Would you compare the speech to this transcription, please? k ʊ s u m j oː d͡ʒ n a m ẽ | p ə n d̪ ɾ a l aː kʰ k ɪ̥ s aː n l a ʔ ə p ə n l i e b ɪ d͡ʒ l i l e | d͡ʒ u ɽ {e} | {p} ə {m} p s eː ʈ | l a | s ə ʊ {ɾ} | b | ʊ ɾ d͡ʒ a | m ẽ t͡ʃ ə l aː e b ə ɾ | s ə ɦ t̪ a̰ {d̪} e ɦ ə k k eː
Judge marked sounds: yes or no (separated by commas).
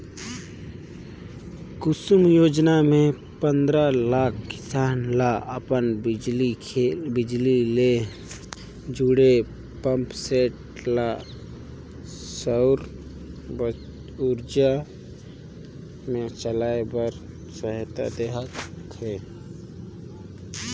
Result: yes, yes, yes, yes, yes